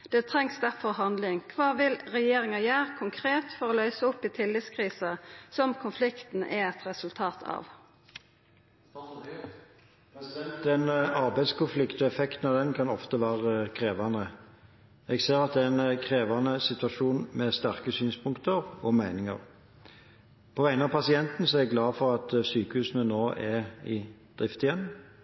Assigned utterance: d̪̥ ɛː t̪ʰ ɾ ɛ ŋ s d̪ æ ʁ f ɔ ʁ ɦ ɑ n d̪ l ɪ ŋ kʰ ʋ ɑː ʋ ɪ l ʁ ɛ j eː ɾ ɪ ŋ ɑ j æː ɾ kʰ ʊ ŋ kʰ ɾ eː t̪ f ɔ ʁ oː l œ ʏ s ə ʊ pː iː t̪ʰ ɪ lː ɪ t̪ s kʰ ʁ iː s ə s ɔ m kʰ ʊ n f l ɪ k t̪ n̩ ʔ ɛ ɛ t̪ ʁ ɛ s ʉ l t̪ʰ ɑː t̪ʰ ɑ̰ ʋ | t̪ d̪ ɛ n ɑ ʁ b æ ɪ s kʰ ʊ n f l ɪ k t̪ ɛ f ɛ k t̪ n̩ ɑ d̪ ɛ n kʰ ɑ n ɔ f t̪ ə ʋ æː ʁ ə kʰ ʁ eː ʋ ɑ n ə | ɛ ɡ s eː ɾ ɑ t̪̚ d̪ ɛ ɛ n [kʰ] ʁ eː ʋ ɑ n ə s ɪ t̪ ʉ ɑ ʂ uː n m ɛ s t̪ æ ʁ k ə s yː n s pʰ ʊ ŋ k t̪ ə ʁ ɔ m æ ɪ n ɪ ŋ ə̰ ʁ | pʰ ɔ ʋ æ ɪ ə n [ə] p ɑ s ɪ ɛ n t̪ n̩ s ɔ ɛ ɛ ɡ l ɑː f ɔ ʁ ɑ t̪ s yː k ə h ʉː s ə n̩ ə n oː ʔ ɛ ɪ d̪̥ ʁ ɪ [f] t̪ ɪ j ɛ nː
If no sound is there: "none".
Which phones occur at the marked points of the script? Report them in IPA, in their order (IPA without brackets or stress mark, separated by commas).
kʰ, ɑ, f